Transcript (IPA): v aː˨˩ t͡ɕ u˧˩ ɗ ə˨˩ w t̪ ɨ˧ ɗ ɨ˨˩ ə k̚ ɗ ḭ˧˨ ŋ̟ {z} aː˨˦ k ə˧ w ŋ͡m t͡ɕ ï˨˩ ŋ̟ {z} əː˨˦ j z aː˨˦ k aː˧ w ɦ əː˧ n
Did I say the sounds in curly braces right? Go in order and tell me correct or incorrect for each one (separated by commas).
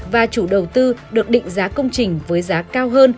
correct, incorrect